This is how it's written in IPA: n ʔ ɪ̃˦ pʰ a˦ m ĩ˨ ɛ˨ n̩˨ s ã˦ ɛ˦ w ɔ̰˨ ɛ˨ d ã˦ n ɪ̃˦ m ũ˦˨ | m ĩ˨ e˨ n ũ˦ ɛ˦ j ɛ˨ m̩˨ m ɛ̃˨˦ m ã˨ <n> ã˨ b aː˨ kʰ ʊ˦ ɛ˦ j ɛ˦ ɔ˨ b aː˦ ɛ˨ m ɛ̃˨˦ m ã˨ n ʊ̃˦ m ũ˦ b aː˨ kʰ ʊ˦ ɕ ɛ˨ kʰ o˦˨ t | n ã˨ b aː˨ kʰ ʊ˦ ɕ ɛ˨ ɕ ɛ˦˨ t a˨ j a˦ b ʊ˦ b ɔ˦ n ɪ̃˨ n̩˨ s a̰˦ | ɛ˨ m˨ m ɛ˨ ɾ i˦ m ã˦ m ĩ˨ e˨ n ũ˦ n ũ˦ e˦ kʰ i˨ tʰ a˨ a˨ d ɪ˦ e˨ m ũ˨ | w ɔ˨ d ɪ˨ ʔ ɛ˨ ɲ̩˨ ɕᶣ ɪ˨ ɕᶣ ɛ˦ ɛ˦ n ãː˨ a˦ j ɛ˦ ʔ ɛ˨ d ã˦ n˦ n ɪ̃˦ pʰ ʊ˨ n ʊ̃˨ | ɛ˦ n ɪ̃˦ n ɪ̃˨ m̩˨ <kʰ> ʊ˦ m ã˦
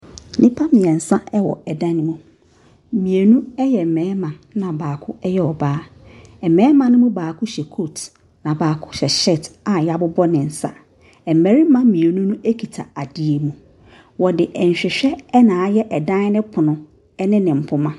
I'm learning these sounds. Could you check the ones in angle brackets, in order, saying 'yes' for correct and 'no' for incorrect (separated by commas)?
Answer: yes, no